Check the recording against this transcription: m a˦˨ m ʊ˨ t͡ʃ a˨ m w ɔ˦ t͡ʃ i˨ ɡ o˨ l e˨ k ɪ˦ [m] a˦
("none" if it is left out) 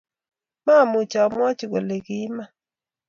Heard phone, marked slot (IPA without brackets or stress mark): m